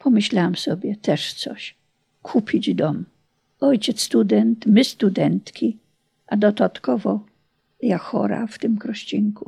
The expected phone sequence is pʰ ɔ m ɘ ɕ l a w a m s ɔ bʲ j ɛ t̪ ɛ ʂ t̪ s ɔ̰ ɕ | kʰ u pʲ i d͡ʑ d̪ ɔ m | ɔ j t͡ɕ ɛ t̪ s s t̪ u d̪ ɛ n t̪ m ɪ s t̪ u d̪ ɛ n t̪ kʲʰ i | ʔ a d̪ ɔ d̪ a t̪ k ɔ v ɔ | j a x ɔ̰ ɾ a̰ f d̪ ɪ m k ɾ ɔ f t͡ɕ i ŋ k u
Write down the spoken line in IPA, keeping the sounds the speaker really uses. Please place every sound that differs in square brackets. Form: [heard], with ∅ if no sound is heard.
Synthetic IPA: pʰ ɔ m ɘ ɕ l a w a m s ɔ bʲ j ɛ t̪ ɛ ʂ t̪ s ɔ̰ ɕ | kʰ u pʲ i d͡ʑ d̪ ɔ m | ɔ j t͡ɕ ɛ t̪ s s t̪ u d̪ ɛ n t̪ m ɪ s t̪ u d̪ ɛ n t̪ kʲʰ i | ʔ a d̪ ɔ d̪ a t̪ k ɔ v ɔ | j a x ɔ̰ ɾ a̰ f [t̪] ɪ m k ɾ ɔ [ɕ] t͡ɕ i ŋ k u